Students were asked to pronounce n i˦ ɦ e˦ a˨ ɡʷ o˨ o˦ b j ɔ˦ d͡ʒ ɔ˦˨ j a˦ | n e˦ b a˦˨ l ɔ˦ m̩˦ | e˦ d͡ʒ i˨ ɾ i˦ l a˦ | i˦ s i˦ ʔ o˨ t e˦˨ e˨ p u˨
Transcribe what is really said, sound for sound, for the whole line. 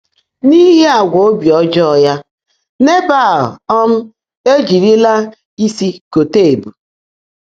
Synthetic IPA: n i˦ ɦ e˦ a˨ ɡʷ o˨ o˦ b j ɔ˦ d͡ʒ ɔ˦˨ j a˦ | n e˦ b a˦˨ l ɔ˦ m̩˦ | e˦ d͡ʒ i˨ ɾ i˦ l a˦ | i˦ s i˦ k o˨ t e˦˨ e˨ b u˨